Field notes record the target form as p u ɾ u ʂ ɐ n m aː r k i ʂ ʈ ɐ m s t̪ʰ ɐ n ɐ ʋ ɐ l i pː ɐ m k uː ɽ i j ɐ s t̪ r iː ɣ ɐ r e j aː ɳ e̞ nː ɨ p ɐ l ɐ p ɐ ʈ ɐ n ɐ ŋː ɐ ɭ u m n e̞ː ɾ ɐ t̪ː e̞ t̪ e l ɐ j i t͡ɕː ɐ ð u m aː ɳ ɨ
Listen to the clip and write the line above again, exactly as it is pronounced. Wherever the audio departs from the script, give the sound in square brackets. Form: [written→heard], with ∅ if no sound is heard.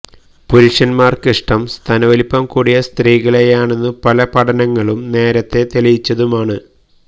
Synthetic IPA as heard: p u ɾ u ʂ ɐ n m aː r k i ʂ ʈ ɐ m s t̪ʰ ɐ n ɐ ʋ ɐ l i pː ɐ m k uː ɽ i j ɐ s t̪ r iː ɣ ɐ [r→ɭ] e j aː ɳ e̞ nː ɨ p ɐ l ɐ p ɐ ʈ ɐ n ɐ ŋː ɐ ɭ u m n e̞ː ɾ ɐ t̪ː e̞ t̪ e l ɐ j i t͡ɕː ɐ ð u m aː ɳ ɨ

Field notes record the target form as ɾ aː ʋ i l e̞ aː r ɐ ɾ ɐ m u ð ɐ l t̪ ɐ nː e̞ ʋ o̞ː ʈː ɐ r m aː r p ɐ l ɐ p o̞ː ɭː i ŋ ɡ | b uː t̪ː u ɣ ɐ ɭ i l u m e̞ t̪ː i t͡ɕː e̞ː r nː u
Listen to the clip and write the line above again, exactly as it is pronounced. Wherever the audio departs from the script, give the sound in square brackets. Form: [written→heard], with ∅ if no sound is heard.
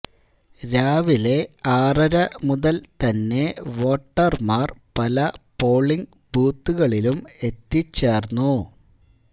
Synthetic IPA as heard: ɾ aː ʋ i l e̞ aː r ɐ ɾ ɐ m u ð ɐ l t̪ ɐ nː e̞ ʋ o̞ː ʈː ɐ r m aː r p ɐ l ɐ p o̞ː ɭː i ŋ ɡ | b uː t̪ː u ɣ ɐ ɭ i l u m e̞ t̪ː i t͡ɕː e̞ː r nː u

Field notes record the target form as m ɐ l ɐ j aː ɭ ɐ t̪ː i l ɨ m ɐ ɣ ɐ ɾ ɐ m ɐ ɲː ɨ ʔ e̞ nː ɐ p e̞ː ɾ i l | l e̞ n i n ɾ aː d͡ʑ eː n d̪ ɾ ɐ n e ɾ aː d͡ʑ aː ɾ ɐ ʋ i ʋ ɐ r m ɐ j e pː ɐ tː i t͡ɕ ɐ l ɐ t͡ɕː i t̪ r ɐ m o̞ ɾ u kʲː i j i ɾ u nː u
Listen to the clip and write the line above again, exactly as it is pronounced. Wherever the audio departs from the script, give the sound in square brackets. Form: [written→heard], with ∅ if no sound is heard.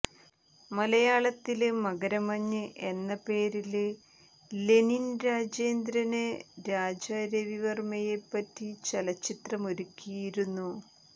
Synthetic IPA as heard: m ɐ l ɐ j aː ɭ ɐ t̪ː i l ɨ m ɐ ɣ ɐ ɾ ɐ m ɐ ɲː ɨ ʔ e̞ nː ɐ p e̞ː ɾ i l | l e̞ n i n ɾ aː d͡ʑ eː n d̪ ɾ ɐ n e ɾ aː d͡ʑ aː ɾ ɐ ʋ i ʋ ɐ r m ɐ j e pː ɐ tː i t͡ɕ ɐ l ɐ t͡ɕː i t̪ r ɐ m o̞ ɾ u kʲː i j i ɾ u nː u

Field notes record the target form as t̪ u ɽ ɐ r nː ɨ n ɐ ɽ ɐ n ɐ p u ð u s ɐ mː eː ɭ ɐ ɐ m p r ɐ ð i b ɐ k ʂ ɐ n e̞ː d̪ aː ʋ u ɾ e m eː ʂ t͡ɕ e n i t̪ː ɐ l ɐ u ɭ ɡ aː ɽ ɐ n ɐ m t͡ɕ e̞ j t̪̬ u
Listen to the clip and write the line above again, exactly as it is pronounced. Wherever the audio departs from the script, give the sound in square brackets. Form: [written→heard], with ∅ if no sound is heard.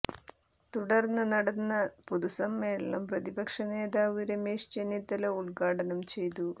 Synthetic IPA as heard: t̪ u ɽ ɐ r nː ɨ n ɐ ɽ ɐ [n→nː] ɐ p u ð u s ɐ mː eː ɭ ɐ ɐ m p r ɐ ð i b ɐ k ʂ ɐ n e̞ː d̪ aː ʋ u ɾ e m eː ʂ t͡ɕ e n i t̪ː ɐ l ɐ u ɭ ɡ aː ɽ ɐ n ɐ m t͡ɕ e̞ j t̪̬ u

